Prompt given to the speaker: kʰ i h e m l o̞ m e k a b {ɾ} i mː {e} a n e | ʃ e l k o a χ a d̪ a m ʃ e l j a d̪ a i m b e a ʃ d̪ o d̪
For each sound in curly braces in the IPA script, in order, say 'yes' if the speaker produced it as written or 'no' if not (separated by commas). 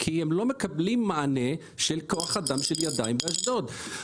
no, no